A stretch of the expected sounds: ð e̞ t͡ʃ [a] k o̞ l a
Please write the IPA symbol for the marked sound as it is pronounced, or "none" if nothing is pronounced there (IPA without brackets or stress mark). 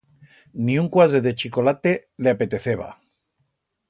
i